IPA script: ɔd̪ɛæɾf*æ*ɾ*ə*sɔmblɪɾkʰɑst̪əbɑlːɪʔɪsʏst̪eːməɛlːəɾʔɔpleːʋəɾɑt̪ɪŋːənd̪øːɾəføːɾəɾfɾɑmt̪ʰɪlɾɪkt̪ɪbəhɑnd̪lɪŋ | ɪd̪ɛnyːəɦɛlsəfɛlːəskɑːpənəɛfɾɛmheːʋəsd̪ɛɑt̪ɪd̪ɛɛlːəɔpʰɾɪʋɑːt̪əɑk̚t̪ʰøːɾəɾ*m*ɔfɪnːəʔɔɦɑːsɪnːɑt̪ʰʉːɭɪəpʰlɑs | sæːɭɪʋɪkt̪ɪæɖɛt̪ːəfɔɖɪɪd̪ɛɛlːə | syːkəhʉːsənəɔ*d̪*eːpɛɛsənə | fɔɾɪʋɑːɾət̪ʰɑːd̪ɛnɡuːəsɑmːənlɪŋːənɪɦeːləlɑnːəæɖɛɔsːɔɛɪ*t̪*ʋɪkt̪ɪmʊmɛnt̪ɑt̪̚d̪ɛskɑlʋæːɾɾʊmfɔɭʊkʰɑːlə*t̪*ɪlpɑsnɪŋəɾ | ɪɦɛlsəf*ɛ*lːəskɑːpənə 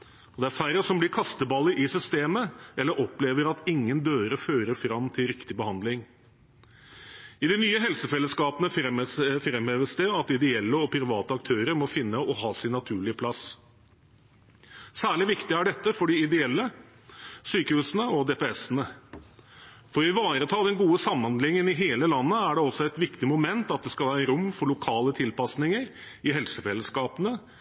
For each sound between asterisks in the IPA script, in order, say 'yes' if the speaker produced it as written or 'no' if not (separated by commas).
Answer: yes, yes, yes, yes, yes, no, yes